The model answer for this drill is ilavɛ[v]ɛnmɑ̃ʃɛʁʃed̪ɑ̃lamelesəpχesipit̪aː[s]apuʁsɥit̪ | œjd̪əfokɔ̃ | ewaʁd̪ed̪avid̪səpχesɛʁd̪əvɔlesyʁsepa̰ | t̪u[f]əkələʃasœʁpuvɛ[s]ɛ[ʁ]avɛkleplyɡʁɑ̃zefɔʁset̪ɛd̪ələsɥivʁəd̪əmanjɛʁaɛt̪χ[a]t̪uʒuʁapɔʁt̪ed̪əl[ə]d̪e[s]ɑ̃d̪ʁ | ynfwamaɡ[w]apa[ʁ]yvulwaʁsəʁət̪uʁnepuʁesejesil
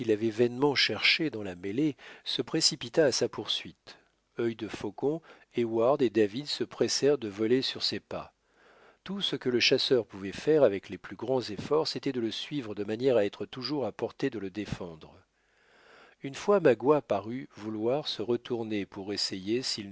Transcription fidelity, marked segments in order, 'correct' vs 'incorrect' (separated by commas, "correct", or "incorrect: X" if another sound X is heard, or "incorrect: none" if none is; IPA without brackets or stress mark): correct, correct, incorrect: s, incorrect: f, correct, incorrect: ə, correct, incorrect: f, correct, correct